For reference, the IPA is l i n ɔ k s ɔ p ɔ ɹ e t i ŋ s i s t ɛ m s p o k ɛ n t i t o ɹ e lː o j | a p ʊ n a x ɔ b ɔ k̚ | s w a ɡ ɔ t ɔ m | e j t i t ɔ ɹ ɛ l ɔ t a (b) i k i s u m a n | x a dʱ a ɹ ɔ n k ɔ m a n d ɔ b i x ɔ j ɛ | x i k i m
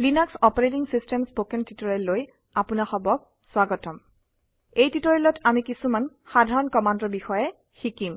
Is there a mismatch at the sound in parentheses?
yes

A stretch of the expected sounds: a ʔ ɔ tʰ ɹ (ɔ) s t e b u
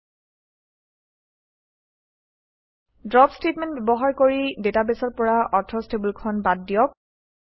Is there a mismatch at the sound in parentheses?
no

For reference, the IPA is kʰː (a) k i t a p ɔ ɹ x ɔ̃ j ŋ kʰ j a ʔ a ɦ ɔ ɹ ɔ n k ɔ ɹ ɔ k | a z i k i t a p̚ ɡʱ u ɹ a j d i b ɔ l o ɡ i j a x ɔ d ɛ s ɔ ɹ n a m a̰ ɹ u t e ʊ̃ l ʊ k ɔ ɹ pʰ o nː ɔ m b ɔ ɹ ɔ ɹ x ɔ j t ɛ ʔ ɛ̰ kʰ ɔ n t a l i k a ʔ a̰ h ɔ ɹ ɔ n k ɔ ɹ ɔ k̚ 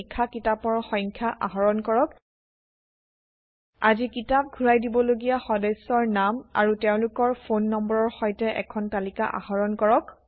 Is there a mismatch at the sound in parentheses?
no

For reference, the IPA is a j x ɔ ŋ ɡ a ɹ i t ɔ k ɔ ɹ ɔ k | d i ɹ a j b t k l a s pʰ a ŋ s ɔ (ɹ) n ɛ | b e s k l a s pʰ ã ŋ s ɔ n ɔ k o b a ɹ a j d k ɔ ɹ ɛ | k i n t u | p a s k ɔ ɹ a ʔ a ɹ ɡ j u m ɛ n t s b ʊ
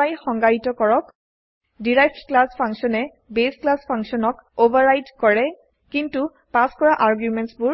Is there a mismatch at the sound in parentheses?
yes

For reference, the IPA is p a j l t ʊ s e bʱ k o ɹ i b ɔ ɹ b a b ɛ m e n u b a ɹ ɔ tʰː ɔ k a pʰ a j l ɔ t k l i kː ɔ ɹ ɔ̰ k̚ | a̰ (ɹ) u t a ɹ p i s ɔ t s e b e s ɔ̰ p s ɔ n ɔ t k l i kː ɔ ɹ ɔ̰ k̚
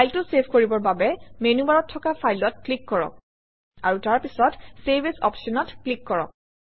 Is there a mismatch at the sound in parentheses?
no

